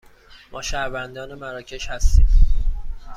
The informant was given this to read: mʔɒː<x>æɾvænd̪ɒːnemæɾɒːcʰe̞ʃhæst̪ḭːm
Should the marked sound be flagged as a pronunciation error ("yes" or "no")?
yes